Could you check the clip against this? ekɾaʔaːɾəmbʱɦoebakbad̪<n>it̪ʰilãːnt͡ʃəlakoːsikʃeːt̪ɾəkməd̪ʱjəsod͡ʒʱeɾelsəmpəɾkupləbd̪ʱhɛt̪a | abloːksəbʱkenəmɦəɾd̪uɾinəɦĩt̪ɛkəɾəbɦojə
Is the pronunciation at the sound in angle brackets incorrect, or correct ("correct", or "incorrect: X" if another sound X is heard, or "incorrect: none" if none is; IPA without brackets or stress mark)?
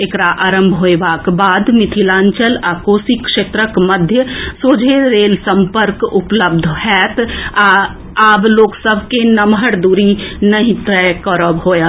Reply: incorrect: m